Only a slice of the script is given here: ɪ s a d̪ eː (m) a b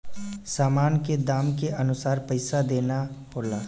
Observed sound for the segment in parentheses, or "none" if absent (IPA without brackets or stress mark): n